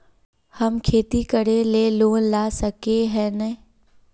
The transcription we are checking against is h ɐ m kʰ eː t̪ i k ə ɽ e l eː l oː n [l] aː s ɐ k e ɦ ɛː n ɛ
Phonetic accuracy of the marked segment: correct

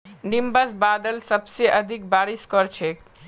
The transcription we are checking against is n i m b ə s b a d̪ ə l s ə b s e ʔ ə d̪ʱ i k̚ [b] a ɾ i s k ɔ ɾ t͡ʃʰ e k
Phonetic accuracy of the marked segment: correct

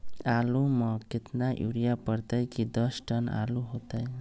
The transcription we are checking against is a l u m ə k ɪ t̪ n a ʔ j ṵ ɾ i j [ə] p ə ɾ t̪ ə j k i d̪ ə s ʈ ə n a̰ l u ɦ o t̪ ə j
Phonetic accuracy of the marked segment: incorrect: a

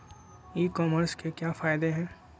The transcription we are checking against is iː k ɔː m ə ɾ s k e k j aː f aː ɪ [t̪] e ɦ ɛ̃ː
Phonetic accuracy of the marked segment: incorrect: d̪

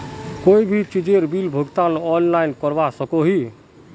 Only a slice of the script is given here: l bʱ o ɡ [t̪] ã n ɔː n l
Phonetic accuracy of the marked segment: correct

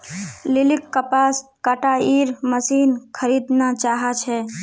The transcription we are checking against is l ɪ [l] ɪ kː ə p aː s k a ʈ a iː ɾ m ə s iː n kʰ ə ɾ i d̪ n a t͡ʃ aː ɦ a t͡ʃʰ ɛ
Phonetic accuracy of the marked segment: correct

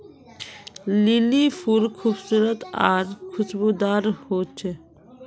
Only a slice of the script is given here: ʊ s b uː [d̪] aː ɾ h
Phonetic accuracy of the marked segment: correct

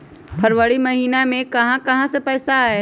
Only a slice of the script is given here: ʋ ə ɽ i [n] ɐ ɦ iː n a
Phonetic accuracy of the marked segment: incorrect: m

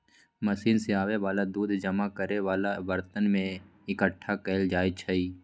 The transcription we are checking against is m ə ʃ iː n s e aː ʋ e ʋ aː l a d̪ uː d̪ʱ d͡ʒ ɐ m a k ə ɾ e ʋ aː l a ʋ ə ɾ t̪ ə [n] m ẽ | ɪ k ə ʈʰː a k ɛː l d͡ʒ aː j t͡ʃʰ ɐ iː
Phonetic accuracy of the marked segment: correct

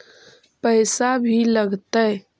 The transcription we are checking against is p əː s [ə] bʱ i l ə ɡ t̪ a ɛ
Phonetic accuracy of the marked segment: incorrect: a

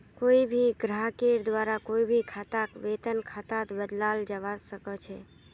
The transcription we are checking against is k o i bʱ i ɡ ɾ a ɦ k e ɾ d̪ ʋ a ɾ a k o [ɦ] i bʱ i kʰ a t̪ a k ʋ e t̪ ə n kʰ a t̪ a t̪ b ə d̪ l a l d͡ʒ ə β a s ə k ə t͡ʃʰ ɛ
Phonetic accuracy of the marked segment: incorrect: none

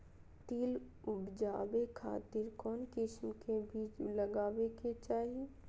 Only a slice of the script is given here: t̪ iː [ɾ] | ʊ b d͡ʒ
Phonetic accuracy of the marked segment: incorrect: l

